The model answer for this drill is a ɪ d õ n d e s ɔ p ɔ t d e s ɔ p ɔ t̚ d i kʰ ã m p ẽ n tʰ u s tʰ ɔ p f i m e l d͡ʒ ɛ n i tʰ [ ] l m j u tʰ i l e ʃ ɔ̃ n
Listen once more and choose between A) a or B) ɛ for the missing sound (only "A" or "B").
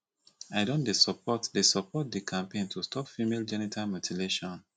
A